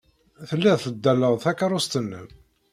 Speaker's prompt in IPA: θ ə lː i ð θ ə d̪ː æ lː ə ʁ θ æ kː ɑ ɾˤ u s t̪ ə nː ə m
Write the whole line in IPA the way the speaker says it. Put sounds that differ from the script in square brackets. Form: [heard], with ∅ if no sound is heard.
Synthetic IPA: θ ə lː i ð θ ə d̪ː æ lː ə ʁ θ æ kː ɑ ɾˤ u s t̪ ə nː ə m